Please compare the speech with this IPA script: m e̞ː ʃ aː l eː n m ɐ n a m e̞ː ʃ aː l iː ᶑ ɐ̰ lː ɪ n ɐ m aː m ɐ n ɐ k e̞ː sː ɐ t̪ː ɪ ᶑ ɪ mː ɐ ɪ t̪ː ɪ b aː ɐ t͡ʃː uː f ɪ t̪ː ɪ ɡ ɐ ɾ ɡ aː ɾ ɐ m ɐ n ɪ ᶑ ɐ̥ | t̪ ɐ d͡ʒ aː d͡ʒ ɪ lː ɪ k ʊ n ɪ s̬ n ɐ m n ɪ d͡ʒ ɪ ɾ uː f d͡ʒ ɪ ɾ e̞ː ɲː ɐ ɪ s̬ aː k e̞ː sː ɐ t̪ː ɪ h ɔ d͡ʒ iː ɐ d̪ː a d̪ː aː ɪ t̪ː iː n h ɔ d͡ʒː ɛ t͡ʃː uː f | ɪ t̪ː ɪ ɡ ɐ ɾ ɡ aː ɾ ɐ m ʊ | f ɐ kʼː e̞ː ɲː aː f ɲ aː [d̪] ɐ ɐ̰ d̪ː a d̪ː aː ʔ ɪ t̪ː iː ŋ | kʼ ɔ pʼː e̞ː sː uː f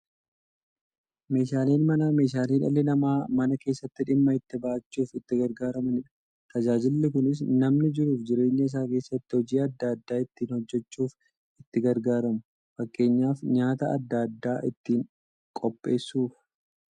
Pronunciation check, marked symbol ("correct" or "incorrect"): incorrect